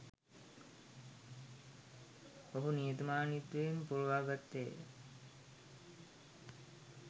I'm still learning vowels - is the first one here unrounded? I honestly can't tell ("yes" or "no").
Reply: no